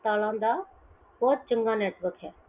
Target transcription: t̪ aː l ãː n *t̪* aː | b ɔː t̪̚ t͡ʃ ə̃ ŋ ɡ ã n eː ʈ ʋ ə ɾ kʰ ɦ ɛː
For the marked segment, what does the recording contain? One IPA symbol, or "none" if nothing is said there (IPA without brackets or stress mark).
d̪